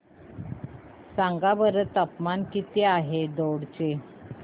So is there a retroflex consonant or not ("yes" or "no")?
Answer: yes